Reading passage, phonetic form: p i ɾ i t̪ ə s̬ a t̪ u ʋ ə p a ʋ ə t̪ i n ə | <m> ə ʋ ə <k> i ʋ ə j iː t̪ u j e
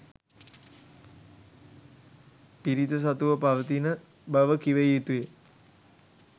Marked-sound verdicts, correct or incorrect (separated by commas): incorrect, correct